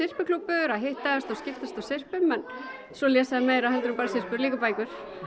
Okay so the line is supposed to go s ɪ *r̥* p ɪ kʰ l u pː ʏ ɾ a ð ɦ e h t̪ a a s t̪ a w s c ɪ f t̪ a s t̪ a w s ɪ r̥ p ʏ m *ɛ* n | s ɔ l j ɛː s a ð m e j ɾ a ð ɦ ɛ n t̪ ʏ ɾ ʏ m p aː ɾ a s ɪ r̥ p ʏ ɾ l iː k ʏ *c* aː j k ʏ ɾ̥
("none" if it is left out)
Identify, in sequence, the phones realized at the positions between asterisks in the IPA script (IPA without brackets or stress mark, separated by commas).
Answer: r̥, ɛ, p